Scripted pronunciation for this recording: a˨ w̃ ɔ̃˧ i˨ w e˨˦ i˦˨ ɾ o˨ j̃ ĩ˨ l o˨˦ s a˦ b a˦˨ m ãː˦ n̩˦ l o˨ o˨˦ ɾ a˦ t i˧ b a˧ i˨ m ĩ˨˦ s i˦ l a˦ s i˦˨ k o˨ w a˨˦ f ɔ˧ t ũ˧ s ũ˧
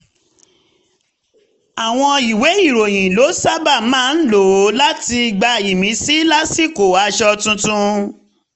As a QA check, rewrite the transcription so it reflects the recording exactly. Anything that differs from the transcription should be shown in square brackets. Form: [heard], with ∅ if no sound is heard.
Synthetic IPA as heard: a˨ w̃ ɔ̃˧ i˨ w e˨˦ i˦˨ ɾ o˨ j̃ ĩ˨ l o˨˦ s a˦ b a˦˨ m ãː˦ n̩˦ l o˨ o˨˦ [l] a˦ t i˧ [ɡ͡b] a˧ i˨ m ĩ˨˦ s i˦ l a˦ s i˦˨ k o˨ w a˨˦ [ʃ] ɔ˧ t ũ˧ [t] ũ˧